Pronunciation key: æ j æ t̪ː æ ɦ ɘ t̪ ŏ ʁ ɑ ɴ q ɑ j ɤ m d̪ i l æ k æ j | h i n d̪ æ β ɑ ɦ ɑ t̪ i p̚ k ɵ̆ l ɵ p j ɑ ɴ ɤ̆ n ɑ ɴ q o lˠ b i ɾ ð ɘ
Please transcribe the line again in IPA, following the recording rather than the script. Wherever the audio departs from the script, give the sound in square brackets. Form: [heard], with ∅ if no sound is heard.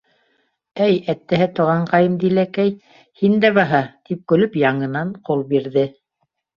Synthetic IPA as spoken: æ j æ t̪ː æ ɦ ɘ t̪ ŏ ʁ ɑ ɴ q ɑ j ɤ m d̪ i l æ k æ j | h i n d̪ æ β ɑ ɦ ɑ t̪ i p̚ k ɵ̆ l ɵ p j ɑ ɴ ɤ̆ n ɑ ɴ q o lˠ b i ɾ ð ɘ